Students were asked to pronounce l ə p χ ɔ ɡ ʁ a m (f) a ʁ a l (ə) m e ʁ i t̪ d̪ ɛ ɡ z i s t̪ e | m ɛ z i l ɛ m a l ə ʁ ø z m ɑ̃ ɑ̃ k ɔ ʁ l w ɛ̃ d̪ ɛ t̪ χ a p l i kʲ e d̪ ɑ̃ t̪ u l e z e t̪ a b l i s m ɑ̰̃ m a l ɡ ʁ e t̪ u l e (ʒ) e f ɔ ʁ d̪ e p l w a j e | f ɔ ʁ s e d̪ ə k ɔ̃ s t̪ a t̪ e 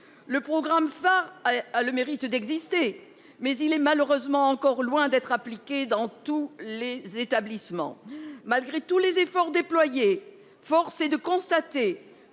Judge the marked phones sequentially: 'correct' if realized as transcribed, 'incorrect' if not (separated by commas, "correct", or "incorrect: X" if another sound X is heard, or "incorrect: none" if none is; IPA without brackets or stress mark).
correct, correct, incorrect: z